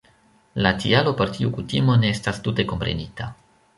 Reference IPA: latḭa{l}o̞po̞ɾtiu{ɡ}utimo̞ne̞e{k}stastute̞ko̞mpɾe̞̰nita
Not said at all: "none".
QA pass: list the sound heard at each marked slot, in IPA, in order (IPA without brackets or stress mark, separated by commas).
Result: l, k, none